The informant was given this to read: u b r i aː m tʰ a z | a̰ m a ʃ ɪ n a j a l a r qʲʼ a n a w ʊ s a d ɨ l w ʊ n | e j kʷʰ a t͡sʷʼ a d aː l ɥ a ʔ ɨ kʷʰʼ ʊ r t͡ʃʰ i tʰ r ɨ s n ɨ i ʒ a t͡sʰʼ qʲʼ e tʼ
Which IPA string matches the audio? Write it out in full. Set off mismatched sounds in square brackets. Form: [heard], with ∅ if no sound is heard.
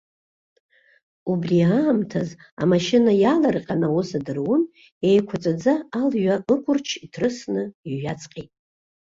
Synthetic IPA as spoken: u b r i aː m tʰ a z | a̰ m a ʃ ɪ n a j a l a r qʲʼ a n a w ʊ s a d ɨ [r] w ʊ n | e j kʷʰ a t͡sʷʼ a [d͡z] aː l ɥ a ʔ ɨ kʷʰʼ ʊ r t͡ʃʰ i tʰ r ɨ s n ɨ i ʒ a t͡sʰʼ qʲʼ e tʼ

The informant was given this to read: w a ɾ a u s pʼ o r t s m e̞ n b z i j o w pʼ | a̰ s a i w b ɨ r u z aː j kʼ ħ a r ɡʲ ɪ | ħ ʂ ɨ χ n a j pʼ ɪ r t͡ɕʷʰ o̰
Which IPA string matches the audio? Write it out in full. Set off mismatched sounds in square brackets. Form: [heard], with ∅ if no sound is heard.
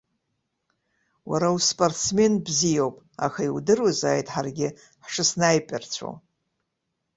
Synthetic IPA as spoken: w a ɾ a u s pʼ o r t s m e̞ n b z i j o w pʼ | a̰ [x] a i w [d] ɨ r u z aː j [tʼ] ħ a r ɡʲ ɪ | ħ ʂ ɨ [s] n a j pʼ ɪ r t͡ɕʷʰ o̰

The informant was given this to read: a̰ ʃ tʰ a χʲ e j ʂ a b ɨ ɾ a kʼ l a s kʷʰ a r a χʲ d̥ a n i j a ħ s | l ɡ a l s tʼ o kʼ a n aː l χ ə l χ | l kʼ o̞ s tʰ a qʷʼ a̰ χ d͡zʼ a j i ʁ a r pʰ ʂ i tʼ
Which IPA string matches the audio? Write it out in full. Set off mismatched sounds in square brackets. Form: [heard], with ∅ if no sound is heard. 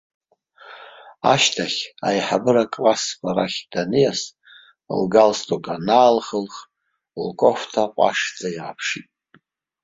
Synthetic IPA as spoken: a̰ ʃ tʰ a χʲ [a] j [ħ] a b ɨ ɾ a kʼ l a s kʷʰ a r a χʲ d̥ a n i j a [∅] s | l ɡ a l s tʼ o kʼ a n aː l χ ə l χ | l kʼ o̞ [f] tʰ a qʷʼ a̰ [ʂ] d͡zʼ a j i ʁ a [∅] pʰ ʂ i tʼ

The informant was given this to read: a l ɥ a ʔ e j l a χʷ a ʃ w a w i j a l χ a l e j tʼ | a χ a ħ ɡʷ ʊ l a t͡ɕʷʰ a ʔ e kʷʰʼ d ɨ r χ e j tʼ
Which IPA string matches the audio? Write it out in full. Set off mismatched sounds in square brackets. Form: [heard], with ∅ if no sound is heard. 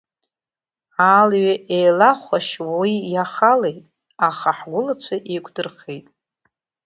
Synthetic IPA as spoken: a l ɥ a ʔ e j l a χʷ a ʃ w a w i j a [∅] χ a l e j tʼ | a χ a ħ ɡʷ ʊ l a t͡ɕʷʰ a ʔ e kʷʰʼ d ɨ r χ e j tʼ

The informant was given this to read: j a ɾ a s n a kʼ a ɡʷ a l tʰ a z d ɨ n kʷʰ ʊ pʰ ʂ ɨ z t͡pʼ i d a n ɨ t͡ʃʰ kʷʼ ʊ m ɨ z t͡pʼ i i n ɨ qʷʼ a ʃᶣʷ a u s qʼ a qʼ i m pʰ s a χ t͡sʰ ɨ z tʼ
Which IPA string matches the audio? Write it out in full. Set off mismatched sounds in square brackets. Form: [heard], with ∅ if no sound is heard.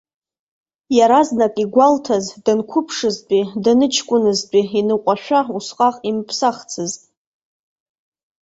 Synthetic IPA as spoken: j a ɾ a [z] n a kʼ [i] ɡʷ a l tʰ a z d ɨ n kʷʰ ʊ pʰ ʂ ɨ z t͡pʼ i d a n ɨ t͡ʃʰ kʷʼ ʊ [n] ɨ z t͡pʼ i i n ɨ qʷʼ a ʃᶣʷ a u s qʼ a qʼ i m pʰ s a χ t͡sʰ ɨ z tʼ

